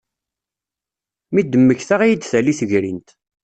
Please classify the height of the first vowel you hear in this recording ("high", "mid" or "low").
high